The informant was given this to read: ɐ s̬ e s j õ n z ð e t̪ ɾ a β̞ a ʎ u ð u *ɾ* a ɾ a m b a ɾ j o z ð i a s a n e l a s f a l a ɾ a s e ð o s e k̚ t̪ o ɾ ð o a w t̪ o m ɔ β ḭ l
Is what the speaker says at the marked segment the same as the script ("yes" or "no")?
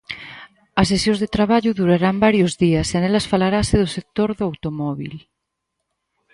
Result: yes